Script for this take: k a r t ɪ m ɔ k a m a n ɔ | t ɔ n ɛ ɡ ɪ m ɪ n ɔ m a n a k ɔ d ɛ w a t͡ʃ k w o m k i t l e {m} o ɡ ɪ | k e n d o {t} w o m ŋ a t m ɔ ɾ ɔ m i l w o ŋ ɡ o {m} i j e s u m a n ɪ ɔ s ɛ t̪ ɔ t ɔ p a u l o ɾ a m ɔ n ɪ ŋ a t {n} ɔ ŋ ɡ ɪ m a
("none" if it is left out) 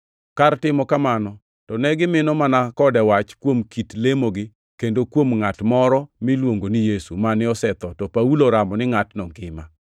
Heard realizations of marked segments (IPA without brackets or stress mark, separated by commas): m, k, n, n